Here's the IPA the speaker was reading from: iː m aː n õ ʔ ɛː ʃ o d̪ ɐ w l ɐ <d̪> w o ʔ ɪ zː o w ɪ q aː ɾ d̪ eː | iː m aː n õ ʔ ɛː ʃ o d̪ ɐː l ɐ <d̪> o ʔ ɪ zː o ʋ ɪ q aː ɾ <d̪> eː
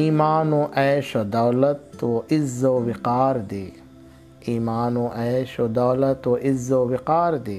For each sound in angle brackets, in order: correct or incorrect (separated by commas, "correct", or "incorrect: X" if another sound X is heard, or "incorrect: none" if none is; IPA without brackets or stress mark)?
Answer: incorrect: t̪, incorrect: t̪, correct